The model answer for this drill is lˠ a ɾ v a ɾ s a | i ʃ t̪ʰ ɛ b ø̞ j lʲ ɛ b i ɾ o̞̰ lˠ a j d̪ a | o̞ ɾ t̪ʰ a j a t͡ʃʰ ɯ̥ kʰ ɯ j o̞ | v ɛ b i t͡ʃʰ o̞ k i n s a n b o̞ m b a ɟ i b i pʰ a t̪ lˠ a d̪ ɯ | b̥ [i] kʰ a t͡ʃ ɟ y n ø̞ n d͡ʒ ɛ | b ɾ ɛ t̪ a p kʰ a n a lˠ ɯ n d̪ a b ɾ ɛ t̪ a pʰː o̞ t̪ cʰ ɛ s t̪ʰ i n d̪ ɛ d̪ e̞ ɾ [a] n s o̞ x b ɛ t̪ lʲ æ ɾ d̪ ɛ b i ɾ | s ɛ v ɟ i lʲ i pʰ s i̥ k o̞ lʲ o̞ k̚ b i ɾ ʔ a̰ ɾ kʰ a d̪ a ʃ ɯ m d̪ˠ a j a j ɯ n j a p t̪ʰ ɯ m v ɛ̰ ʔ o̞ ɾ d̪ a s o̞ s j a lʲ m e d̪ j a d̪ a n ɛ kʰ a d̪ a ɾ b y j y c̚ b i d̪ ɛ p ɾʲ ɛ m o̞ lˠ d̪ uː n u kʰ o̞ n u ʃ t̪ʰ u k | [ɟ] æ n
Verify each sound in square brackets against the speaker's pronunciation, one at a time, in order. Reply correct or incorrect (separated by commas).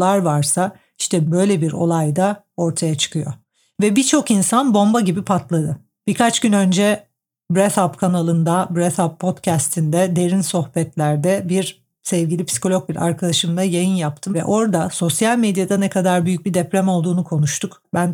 correct, incorrect, incorrect